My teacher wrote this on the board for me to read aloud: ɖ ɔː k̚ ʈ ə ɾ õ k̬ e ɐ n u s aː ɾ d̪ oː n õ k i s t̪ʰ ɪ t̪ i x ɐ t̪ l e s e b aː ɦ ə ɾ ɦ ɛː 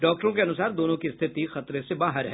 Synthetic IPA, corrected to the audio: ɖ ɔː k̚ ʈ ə ɾ õ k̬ e ɐ n ʊ s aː ɾ d̪ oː n õ k i s t̪ʰ ɪ t̪ i x ɐ t̪ ɾ e s e b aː ɦ ə ɾ ɦ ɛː